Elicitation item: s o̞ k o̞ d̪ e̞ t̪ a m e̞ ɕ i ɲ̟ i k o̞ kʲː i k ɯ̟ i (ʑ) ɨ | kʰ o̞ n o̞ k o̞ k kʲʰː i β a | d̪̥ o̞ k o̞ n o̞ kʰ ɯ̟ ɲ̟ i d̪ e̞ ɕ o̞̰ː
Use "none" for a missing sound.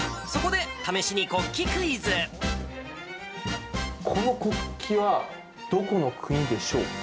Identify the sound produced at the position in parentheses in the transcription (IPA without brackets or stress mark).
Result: z